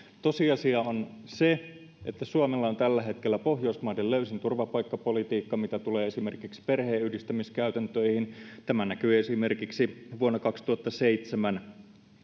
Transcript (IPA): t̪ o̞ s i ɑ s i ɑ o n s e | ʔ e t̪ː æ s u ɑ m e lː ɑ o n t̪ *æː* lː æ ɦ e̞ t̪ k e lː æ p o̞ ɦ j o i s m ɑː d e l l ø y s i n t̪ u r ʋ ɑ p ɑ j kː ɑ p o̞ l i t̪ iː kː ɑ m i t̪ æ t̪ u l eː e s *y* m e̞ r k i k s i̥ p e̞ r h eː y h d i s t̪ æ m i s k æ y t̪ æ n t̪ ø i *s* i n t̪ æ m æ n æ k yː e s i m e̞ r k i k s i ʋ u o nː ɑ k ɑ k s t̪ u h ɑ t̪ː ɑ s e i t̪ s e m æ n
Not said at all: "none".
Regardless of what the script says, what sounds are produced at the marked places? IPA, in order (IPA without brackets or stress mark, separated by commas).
æ, i, h